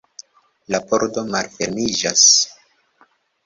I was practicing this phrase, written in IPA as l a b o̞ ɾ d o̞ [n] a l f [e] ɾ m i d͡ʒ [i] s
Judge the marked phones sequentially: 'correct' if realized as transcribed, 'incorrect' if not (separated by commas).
incorrect, correct, incorrect